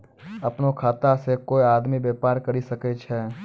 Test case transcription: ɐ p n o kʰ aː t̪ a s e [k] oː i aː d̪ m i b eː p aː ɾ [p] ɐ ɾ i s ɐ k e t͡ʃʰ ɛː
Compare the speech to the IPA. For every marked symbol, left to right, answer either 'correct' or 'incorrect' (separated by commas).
correct, incorrect